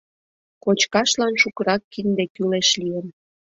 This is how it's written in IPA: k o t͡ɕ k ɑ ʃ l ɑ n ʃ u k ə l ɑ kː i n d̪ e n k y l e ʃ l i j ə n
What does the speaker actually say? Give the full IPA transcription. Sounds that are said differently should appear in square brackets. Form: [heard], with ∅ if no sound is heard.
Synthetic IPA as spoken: k o t͡ɕ k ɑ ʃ l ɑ n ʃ u k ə [ɾ] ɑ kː i n d̪ e [∅] k y l e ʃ l i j ə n

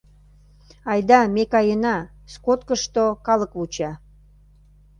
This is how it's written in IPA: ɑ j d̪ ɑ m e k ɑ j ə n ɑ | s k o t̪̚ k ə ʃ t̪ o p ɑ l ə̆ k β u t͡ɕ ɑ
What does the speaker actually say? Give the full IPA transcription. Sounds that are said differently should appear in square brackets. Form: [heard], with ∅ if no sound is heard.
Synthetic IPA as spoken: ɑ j d̪ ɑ m e k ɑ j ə n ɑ | s k o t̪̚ k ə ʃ t̪ o [k] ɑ l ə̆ k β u t͡ɕ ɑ

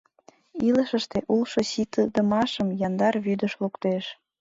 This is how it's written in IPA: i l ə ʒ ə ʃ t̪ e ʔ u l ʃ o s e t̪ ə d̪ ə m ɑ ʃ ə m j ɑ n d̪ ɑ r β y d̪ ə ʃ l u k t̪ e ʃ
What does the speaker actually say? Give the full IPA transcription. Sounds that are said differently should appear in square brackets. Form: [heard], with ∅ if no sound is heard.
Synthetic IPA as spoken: i l ə [ʃ] ə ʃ t̪ e ʔ u l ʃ o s [i] t̪ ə d̪ ə m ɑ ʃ ə m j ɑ n d̪ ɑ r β y d̪ ə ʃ l u k t̪ e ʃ

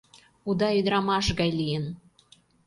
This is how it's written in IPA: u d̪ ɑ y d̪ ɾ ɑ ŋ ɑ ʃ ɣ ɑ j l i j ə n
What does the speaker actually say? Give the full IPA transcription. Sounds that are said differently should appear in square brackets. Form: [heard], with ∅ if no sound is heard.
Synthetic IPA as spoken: u d̪ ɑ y d̪ ɾ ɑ [m] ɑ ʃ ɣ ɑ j l i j ə n

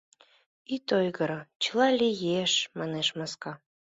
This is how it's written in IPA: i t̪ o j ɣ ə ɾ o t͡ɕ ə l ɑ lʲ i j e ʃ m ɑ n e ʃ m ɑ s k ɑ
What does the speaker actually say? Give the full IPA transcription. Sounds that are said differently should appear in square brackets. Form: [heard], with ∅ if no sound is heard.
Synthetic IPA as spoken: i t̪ o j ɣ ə ɾ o t͡ɕ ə l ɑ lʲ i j e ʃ m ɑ n e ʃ m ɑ s k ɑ

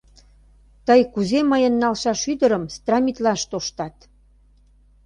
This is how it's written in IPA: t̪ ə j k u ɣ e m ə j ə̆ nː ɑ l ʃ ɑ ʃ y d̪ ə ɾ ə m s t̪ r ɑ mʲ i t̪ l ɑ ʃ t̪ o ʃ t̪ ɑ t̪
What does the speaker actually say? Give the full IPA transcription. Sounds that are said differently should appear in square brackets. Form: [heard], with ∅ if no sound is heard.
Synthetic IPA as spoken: t̪ ə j k u [z] e m ə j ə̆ nː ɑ l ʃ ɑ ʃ y d̪ ə ɾ ə m s t̪ r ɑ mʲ i t̪ l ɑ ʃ t̪ o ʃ t̪ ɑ t̪

